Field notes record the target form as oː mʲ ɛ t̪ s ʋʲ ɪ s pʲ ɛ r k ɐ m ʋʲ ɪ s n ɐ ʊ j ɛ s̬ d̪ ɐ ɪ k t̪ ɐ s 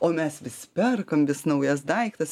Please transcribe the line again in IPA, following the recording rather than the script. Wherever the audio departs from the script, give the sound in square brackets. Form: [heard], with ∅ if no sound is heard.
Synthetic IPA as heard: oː mʲ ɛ [∅] s ʋʲ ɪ s pʲ ɛ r k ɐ m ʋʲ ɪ s n ɐ ʊ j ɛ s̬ d̪ ɐ ɪ k t̪ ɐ s